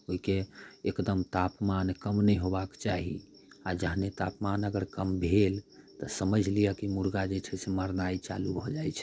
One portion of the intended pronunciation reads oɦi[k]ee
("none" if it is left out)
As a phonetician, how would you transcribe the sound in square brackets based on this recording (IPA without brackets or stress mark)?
k